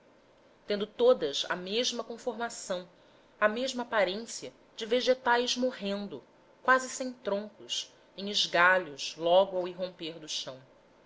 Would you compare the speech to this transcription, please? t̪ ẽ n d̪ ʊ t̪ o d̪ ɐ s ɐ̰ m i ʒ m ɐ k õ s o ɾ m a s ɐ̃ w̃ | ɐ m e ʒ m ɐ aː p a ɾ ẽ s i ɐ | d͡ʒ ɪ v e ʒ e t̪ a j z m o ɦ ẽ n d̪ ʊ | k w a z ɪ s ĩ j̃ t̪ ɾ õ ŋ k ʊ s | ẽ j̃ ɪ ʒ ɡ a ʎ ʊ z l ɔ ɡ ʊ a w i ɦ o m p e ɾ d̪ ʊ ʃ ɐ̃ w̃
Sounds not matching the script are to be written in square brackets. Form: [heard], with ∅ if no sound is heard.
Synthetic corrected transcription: t̪ ẽ n d̪ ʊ t̪ o d̪ ɐ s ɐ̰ m [e] ʒ m ɐ k õ [f] o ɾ m a s ɐ̃ w̃ | ɐ m e ʒ m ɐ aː p a ɾ ẽ s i ɐ | d͡ʒ ɪ v e ʒ e t̪ a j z m o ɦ ẽ n d̪ ʊ | k w a z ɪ s [ẽ] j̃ t̪ ɾ õ ŋ k ʊ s | ẽ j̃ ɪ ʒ ɡ a ʎ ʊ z l ɔ ɡ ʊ a w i ɦ [õ] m p e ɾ d̪ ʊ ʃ ɐ̃ w̃